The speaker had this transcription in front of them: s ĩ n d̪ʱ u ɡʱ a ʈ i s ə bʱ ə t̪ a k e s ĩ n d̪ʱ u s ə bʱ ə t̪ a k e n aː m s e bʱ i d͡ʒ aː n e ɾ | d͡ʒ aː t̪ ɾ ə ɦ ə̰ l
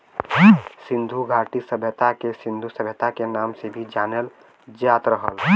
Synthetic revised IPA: s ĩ n d̪ʱ u ɡʱ a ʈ i s ə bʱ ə t̪ a k e s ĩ n d̪ʱ u s ə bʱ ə t̪ a k e n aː m s e bʱ i d͡ʒ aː n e l | d͡ʒ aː t̪ ɾ ə ɦ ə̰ l